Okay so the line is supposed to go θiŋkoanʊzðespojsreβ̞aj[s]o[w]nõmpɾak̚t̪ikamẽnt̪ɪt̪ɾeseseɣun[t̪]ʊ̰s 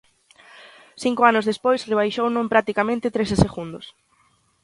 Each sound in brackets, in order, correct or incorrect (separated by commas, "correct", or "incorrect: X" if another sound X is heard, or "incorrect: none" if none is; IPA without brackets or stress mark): incorrect: ʃ, correct, incorrect: d̪